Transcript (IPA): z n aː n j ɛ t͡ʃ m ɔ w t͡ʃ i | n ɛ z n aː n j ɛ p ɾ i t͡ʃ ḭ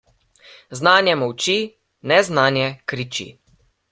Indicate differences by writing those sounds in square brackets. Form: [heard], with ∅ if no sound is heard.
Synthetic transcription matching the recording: z n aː n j ɛ [∅] m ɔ w t͡ʃ i | n ɛ z n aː n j ɛ [k] ɾ i t͡ʃ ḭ